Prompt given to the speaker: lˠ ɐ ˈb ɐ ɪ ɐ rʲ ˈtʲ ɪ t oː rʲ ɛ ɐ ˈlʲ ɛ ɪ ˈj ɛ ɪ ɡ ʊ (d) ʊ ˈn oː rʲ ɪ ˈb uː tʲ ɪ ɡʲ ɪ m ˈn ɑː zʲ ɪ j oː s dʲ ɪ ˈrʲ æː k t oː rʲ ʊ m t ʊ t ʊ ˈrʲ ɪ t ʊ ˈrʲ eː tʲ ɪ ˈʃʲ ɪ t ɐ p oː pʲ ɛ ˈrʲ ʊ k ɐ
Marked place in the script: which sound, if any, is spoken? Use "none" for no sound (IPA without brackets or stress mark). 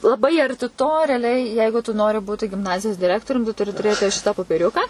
t